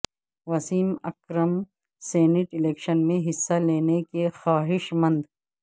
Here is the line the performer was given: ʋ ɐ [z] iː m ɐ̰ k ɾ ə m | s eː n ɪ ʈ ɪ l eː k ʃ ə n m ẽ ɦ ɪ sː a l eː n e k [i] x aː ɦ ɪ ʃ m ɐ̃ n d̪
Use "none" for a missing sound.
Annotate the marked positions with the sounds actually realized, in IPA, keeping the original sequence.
s, e

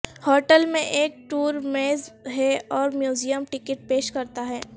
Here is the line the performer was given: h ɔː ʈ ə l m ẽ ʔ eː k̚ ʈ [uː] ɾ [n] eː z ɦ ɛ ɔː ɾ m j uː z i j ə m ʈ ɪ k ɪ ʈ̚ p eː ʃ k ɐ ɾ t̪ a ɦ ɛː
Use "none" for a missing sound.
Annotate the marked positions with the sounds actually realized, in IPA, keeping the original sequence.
uː, m

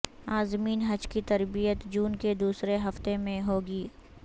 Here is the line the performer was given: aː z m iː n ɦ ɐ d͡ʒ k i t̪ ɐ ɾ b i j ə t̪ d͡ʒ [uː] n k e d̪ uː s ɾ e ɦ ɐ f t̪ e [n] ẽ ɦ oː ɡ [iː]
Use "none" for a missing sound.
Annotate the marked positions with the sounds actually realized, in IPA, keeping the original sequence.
uː, m, iː

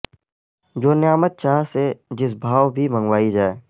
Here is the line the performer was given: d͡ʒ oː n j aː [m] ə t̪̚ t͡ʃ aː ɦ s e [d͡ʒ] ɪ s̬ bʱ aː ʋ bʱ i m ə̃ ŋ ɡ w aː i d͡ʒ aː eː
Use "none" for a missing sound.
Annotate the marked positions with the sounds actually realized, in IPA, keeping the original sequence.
m, d͡ʒ

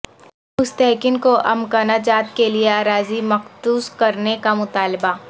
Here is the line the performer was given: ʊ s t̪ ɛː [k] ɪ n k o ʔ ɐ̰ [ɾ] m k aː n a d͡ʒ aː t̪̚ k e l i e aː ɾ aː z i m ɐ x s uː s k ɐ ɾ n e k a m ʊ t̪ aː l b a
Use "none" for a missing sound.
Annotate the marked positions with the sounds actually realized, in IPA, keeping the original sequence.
k, none

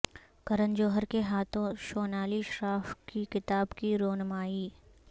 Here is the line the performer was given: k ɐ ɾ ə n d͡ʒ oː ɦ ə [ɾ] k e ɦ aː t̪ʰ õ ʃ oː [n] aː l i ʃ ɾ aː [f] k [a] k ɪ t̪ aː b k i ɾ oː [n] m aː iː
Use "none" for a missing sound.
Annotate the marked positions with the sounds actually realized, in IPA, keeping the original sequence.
ɾ, n, f, i, n

